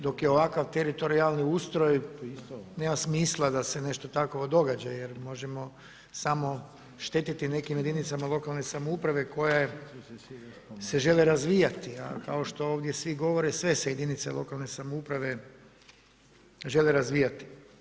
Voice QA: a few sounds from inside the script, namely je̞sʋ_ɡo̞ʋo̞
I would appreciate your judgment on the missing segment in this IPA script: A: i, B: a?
A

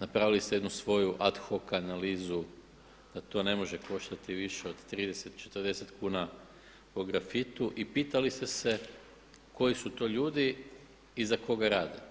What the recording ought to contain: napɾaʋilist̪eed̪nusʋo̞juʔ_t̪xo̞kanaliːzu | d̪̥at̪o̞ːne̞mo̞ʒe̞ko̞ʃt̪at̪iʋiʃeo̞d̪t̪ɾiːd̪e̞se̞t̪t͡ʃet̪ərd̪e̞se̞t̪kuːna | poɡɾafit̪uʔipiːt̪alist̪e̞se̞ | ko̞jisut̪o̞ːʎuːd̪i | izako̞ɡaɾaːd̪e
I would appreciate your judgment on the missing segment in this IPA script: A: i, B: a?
B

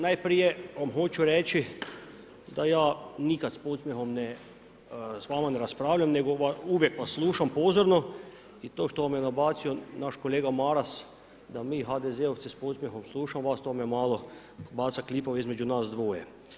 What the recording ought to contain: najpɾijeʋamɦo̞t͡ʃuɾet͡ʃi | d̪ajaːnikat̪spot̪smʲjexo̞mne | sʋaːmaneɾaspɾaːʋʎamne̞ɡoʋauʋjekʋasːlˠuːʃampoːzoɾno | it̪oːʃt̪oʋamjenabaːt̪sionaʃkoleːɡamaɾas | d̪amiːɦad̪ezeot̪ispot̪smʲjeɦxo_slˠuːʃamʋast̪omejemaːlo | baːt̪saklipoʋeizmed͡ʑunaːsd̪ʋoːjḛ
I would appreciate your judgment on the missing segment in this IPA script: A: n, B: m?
B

